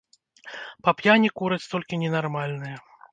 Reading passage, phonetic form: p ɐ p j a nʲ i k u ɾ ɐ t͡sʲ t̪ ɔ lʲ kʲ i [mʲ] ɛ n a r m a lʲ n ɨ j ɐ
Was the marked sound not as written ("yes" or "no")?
yes